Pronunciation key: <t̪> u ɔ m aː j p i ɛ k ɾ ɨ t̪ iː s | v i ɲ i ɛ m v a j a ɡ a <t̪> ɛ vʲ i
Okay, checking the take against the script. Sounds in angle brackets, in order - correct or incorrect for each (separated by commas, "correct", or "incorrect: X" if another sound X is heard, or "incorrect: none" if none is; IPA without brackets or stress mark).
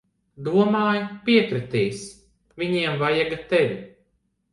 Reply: incorrect: d̪, correct